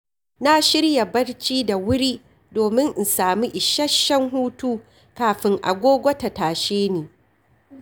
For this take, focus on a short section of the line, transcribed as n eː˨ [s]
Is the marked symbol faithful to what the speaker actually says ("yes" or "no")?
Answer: no